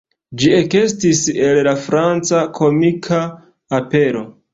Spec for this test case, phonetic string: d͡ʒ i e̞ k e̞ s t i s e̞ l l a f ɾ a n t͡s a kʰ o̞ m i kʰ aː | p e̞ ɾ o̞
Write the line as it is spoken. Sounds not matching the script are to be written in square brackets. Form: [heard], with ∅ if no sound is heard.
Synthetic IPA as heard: d͡ʒ i e̞ k e̞ s t i s e̞ l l a f ɾ a n t͡s a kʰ o̞ m i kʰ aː | p e̞ ɾ o̞